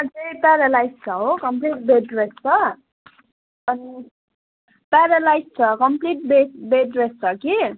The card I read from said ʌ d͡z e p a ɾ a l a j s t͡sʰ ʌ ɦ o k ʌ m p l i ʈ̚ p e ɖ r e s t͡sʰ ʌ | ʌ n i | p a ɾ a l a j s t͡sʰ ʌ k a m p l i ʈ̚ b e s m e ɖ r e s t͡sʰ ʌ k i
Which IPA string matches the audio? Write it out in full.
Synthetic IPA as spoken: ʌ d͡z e p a ɾ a l a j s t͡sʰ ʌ ɦ o k ʌ m p l i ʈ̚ b e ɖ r e s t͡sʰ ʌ | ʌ n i | p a ɾ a l a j s t͡sʰ ʌ k ʌ m p l i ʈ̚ b e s b e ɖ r e s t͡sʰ ʌ k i